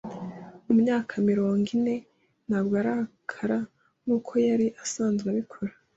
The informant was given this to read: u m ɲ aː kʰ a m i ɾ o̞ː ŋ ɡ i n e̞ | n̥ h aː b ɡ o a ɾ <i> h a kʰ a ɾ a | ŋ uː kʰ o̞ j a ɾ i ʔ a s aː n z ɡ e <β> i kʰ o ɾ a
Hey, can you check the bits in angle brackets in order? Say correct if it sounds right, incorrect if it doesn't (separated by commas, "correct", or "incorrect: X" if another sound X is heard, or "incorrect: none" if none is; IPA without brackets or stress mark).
incorrect: a, correct